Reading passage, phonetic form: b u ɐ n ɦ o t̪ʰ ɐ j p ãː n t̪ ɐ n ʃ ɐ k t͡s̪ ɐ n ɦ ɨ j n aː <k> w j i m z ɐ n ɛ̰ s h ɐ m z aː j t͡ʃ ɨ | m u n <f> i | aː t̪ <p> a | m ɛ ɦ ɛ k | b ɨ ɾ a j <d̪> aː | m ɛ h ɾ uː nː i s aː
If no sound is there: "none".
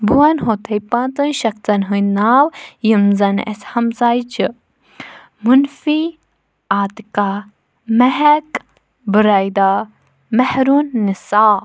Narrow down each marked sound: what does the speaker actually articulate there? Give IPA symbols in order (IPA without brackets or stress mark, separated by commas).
none, f, k, d̪